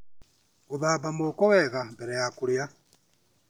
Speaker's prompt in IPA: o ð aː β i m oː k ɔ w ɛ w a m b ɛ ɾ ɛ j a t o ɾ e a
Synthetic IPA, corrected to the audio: o ð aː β a m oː k ɔ w ɛ ɣ a m b ɛ ɾ ɛ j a k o ɾ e a